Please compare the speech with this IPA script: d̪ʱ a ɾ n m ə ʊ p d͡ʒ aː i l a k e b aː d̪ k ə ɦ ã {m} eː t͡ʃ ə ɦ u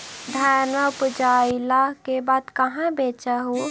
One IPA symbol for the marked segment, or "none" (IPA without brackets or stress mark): b